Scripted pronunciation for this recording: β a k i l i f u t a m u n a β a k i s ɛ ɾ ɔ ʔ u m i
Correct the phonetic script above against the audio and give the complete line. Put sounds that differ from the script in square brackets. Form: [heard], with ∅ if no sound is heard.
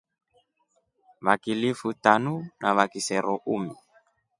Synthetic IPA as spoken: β a k i l i f u t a [n] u n a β a k i s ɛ ɾ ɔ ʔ u m i